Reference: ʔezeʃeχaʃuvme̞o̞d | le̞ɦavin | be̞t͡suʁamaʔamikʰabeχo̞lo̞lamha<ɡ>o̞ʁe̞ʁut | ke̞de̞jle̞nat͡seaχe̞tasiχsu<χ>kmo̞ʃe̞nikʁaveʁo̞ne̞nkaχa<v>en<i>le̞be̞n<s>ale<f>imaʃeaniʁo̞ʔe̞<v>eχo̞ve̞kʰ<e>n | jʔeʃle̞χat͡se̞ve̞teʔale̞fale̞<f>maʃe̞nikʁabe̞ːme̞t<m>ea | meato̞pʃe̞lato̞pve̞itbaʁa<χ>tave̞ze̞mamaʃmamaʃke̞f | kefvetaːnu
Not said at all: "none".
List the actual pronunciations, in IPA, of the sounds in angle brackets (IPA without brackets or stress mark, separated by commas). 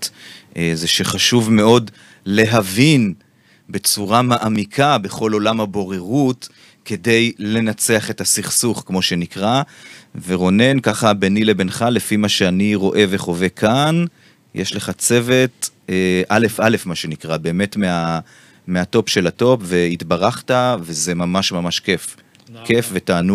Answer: b, χ, b, i, χ, f, v, a, f, m, χ